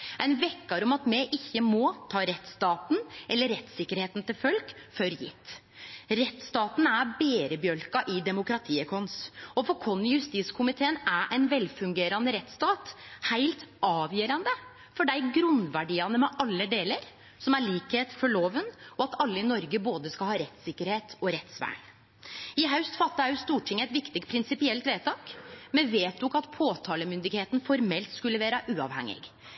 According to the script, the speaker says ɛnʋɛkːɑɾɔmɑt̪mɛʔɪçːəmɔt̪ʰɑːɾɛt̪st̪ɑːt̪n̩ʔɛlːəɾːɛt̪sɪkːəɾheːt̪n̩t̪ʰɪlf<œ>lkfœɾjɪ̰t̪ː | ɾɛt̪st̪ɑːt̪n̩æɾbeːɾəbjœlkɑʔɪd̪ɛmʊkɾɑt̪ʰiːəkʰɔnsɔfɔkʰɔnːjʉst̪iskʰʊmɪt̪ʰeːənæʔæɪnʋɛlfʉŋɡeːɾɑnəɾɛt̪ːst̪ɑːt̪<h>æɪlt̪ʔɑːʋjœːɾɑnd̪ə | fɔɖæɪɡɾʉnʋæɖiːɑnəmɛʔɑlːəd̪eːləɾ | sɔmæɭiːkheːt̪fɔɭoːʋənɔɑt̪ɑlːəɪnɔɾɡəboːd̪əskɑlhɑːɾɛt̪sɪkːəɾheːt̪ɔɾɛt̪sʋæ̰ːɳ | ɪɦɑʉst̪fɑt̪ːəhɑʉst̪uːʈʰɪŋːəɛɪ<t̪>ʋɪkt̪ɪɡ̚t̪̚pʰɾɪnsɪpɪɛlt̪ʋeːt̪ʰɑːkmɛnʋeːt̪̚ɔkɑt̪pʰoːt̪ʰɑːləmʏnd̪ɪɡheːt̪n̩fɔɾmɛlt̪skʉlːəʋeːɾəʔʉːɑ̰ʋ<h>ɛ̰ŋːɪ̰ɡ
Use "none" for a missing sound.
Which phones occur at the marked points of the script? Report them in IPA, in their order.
œ, h, t̪, h

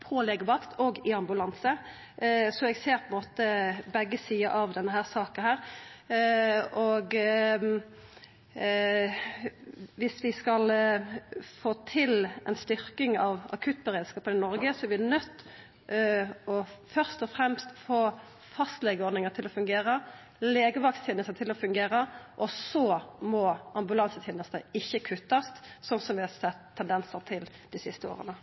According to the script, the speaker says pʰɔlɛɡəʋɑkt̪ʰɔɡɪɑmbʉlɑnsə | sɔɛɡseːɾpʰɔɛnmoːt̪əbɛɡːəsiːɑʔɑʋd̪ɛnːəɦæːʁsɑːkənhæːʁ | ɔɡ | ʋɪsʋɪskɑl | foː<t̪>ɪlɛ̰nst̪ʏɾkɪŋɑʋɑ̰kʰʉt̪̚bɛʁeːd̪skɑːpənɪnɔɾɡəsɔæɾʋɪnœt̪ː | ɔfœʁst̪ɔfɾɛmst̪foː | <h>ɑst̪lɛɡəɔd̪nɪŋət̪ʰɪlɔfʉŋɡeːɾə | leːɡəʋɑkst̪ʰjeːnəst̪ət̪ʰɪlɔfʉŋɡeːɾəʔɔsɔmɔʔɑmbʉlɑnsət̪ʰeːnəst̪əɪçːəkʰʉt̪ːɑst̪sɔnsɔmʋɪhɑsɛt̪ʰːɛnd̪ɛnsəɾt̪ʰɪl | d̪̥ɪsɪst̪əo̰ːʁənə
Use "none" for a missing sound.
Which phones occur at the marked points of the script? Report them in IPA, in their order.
t̪ʰ, f

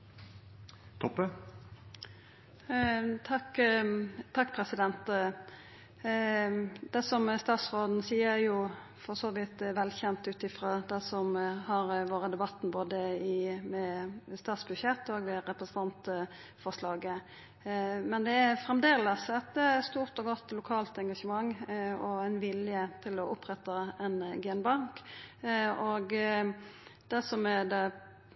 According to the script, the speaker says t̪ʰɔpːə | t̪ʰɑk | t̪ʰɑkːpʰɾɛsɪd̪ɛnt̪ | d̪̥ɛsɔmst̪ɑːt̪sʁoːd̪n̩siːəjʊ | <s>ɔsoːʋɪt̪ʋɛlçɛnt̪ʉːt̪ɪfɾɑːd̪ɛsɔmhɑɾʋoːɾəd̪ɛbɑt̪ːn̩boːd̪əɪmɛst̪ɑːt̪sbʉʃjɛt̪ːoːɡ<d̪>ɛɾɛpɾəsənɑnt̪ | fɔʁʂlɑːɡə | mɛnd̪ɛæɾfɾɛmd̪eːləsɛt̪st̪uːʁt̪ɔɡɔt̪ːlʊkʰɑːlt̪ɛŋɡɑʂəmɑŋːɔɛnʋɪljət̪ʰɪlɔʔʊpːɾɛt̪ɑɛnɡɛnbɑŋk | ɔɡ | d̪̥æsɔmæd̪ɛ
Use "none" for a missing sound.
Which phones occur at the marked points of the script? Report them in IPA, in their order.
f, d̪

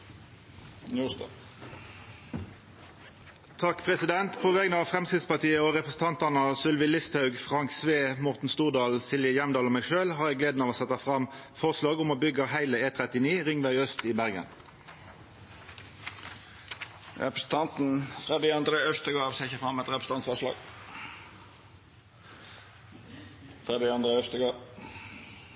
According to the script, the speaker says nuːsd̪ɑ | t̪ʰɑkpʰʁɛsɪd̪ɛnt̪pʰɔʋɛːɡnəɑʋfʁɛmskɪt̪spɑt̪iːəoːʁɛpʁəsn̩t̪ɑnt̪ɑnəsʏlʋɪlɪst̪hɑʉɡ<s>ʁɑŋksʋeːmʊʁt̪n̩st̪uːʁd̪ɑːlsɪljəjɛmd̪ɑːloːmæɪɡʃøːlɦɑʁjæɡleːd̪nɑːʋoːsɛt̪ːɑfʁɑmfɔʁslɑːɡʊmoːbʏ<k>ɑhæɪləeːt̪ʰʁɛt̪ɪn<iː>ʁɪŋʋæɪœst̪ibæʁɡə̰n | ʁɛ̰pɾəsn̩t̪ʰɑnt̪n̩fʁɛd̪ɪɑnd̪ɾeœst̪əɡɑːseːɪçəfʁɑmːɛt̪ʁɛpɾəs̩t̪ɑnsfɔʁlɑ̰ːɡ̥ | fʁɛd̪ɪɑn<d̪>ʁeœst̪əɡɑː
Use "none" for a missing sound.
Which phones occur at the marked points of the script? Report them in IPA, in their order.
f, ɡ, iː, d̪

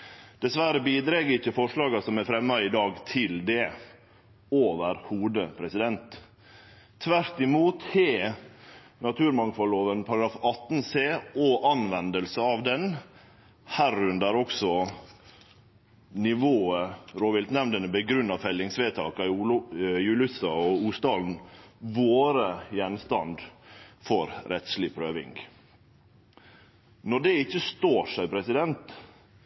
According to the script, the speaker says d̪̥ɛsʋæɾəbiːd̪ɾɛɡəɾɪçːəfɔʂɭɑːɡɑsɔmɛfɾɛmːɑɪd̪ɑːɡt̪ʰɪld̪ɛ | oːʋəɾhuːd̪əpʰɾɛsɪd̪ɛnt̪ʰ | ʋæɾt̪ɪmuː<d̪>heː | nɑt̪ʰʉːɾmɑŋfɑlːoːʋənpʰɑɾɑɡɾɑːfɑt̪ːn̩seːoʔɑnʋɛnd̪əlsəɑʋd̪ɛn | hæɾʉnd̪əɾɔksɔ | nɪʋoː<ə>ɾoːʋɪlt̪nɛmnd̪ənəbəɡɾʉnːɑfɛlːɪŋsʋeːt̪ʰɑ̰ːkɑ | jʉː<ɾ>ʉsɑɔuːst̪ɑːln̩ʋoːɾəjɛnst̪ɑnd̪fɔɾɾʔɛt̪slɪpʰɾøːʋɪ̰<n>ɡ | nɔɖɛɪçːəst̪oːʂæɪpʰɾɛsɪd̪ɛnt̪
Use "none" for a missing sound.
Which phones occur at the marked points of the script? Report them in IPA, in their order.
t̪, ə, l, ŋ

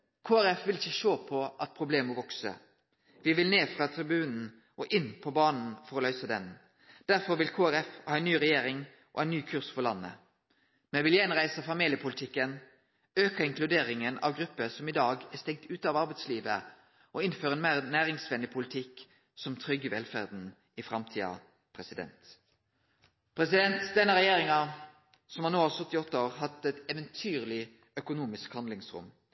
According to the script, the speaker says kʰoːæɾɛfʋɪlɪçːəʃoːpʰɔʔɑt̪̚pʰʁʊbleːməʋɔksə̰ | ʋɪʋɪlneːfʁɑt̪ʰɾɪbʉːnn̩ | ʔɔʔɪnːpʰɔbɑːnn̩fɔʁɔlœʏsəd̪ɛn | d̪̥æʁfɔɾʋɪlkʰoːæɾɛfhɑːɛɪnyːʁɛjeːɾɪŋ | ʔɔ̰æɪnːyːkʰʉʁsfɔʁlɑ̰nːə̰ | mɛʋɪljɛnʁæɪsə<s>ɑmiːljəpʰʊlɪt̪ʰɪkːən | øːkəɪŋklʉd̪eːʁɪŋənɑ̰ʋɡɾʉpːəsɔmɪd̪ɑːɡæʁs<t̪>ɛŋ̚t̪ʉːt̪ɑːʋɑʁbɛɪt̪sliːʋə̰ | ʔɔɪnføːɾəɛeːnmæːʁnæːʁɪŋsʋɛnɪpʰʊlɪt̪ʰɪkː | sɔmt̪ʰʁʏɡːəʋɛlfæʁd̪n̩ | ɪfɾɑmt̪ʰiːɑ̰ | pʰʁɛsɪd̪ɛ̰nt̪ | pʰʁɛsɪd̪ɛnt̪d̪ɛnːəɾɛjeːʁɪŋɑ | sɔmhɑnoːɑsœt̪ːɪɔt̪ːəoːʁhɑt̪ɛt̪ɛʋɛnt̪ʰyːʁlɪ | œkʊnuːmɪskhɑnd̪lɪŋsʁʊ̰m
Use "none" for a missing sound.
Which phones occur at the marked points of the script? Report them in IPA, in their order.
f, t̪

